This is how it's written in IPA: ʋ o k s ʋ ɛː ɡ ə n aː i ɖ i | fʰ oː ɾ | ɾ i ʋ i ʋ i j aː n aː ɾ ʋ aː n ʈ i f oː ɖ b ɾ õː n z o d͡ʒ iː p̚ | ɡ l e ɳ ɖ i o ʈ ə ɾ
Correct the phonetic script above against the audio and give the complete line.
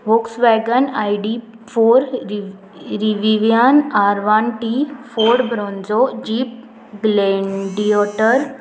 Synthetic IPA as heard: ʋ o k s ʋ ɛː ɡ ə n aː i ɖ i | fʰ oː ɾ | ɾ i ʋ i ʋ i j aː n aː ɾ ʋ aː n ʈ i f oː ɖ b ɾ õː n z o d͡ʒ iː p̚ | ɡ l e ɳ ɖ i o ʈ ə ɾ